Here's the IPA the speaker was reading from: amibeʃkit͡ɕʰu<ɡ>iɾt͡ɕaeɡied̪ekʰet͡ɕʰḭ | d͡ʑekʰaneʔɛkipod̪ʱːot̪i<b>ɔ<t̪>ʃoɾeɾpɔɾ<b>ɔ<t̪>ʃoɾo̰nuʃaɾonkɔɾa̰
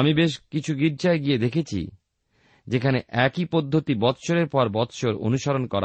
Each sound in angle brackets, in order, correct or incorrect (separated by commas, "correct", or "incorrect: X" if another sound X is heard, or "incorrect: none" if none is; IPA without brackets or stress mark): correct, correct, correct, correct, correct